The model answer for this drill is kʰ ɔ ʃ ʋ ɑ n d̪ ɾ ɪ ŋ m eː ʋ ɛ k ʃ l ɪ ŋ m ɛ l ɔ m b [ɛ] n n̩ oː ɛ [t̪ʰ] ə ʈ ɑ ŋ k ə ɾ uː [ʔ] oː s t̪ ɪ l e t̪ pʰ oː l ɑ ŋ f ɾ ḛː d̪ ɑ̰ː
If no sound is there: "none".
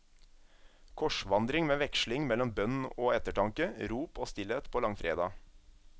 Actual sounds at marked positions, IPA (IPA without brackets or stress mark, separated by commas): œ, t̪, p